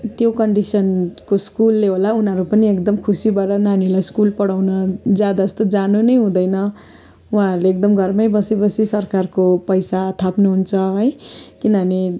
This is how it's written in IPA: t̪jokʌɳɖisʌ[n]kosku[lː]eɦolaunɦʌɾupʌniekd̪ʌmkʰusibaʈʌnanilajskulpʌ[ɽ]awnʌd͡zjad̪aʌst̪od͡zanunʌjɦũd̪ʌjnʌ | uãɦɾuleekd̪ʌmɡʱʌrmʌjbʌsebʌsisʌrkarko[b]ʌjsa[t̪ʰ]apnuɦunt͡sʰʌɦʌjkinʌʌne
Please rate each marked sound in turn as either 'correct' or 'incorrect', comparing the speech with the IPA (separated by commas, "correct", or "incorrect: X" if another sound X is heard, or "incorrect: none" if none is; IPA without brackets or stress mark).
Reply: correct, correct, correct, incorrect: p, correct